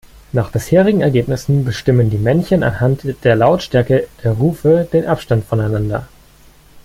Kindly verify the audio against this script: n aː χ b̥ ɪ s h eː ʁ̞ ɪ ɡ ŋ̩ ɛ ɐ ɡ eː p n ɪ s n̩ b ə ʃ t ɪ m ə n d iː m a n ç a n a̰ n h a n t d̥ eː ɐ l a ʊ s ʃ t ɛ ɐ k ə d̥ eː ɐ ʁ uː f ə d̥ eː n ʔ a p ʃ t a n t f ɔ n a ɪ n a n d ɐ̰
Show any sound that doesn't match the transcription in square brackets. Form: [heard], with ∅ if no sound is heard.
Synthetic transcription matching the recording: n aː χ b̥ ɪ s h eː ʁ̞ ɪ ɡ ŋ̩ ɛ ɐ ɡ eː p n ɪ s n̩ b ə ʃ t ɪ m ə n d iː m [ɛ] n ç [ə] n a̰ n h a n t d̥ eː ɐ l a ʊ [t] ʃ t ɛ ɐ k ə d̥ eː ɐ ʁ uː f ə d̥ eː n ʔ a p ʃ t a n t f ɔ n a ɪ n a n d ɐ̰